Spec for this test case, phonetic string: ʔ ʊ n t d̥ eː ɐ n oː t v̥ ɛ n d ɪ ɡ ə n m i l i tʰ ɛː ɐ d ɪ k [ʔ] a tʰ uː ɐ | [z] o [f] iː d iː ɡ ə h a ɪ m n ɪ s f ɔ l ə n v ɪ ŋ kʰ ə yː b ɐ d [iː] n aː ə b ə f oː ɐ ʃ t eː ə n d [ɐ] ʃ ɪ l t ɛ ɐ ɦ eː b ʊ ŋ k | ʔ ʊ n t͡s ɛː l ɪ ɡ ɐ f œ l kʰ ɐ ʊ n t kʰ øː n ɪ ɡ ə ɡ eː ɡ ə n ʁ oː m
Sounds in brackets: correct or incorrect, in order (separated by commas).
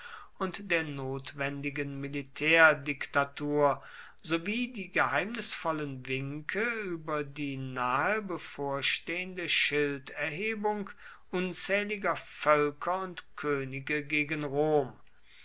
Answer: incorrect, correct, incorrect, correct, incorrect